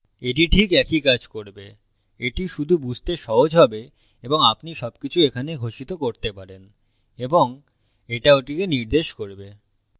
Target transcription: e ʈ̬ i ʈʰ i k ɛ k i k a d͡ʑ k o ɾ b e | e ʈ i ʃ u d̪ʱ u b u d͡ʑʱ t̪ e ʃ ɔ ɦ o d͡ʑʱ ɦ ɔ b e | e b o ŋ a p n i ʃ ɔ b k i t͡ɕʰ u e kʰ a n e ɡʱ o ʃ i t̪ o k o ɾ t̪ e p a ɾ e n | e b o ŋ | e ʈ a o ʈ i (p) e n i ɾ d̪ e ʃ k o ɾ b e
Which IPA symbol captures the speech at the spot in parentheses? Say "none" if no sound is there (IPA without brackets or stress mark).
k